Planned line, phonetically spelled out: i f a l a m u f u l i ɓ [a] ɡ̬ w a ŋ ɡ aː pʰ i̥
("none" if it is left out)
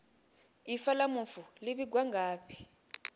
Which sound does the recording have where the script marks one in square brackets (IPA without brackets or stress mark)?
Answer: i